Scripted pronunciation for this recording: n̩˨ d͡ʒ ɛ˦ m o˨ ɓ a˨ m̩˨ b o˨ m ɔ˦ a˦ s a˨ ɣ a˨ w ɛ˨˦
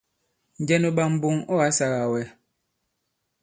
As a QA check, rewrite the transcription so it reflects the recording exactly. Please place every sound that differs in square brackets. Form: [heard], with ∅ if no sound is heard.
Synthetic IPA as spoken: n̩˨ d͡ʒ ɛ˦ [n] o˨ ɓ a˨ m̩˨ b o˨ [ŋ] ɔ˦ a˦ s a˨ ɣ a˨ w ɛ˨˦

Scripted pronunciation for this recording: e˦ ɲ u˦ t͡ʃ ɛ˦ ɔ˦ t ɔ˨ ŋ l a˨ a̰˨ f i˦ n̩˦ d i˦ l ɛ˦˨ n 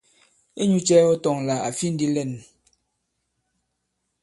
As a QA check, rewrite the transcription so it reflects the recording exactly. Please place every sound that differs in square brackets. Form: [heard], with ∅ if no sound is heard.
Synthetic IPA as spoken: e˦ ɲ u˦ t͡ʃ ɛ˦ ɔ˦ t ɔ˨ ŋ l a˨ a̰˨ f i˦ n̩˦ d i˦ l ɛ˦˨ n

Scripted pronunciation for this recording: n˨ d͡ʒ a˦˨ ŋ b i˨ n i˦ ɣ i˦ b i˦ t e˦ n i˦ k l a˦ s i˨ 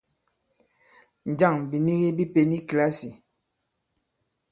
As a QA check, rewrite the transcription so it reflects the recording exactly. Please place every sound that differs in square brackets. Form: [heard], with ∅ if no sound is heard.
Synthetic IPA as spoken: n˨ d͡ʒ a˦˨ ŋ b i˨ n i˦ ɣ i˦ b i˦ [p] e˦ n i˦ k l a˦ s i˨

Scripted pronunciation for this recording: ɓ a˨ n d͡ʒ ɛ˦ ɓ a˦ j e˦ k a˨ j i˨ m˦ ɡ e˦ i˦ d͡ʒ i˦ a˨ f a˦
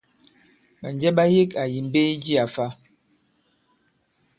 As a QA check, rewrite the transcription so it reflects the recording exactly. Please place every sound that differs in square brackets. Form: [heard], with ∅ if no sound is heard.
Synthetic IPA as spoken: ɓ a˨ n d͡ʒ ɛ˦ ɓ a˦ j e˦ k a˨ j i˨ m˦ [b] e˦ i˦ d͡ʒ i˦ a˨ f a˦

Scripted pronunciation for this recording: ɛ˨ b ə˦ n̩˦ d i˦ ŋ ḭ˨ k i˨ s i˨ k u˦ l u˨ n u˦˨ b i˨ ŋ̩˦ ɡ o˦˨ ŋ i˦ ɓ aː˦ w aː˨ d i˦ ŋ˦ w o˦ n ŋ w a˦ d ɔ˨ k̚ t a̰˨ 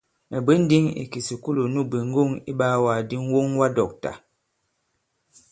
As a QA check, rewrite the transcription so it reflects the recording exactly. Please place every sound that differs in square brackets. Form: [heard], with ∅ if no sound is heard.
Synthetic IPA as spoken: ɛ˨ b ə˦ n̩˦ d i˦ ŋ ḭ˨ k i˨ s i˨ k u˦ l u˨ n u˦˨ b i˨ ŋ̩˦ ɡ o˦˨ ŋ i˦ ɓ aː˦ w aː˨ d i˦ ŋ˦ w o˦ [∅] ŋ w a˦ d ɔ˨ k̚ t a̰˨

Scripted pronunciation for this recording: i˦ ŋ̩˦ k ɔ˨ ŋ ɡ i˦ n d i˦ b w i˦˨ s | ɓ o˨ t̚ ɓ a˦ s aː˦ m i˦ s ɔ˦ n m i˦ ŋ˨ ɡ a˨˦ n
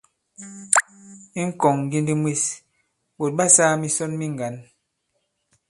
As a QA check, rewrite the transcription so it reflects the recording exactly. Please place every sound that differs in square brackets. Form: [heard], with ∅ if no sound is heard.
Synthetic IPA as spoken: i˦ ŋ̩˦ k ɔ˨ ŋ ɡ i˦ n d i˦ [m] w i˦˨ s | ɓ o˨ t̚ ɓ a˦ s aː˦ m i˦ s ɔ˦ n m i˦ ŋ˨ ɡ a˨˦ n

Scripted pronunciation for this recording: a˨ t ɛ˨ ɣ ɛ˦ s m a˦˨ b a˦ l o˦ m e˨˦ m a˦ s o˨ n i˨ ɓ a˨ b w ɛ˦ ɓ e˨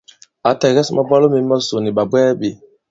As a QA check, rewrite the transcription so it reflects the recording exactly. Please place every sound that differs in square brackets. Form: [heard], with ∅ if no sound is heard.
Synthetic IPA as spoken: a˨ t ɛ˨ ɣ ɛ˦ s m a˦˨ b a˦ l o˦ m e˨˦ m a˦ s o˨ n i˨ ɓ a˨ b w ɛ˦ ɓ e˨

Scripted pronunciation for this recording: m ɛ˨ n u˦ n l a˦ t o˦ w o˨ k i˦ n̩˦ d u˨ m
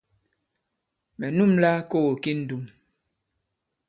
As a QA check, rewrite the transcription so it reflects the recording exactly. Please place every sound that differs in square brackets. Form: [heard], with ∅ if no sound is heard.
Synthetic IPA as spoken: m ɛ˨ n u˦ [m] l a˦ [k] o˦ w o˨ k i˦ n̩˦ d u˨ m

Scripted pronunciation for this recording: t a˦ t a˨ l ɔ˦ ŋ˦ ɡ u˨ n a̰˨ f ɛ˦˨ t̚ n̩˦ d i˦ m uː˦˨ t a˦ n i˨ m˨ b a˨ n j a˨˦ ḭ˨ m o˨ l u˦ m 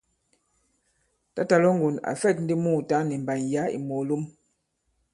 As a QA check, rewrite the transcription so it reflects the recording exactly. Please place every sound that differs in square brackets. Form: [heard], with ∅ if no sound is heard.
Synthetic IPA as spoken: t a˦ t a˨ l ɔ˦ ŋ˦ ɡ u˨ n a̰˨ f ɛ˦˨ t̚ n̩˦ d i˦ m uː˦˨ t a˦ n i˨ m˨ b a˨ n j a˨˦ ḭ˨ m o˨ l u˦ m

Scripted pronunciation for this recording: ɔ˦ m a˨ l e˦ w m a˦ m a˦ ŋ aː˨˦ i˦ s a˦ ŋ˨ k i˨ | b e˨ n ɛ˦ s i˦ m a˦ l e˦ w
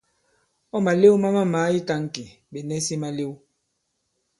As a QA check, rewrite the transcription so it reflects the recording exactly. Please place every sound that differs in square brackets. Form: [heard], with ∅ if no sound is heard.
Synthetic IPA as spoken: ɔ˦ m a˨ l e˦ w m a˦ m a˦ [m] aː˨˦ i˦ [t] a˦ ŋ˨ k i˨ | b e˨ n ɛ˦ s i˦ m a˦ l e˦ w

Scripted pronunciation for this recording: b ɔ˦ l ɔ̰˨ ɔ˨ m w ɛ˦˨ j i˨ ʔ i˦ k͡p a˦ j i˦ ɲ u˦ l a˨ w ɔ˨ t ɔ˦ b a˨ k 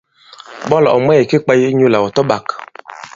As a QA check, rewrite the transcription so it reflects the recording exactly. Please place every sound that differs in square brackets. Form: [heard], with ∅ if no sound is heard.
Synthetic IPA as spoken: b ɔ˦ l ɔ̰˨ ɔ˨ m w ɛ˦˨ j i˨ [k] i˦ k͡p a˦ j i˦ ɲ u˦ l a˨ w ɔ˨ t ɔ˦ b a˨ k

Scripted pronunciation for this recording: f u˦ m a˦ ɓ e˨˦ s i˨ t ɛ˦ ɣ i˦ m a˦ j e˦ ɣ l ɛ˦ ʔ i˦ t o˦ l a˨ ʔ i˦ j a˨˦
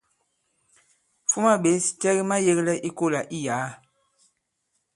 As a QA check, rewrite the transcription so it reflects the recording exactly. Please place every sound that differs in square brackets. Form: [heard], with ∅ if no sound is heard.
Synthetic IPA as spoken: f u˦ m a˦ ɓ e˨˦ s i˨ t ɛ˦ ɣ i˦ m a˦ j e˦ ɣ l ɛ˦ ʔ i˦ [k] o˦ l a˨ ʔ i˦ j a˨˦

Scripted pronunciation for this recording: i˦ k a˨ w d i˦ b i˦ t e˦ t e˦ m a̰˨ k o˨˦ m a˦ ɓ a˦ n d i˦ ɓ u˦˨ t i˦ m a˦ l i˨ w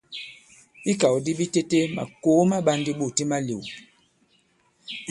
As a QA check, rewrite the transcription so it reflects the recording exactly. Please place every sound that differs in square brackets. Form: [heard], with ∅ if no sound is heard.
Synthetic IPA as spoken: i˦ k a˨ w d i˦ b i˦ t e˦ t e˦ m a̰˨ k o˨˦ m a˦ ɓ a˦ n d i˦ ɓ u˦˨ t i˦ m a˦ l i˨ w

